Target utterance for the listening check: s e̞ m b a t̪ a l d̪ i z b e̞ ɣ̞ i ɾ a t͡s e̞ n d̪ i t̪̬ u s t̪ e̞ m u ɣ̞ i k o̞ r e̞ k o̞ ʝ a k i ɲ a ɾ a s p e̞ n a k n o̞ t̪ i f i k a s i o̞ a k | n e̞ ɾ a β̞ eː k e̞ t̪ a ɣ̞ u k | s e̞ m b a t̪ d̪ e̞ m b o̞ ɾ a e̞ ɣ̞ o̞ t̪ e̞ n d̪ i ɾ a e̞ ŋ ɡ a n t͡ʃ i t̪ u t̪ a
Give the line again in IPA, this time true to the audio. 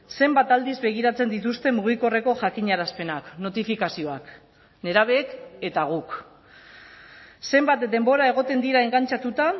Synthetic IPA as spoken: s e̞ m b a t̪ a l d̪ i z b e̞ ɣ̞ i ɾ a t͡s e̞ n d̪ i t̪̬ u s t̪ e̞ m u ɣ̞ i k o̞ r e̞ k o̞ ʝ a k i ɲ a ɾ a s p e̞ n a k n o̞ t̪ i f i k a s i o̞ a k | n e̞ ɾ a β̞ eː k e̞ t̪ a ɣ̞ u k | s e̞ m b a t̪ d̪ e̞ m b o̞ ɾ a e̞ ɣ̞ o̞ t̪ e̞ n d̪ i ɾ a e̞ ŋ ɡ a n t͡ʃ a t̪ u t̪ a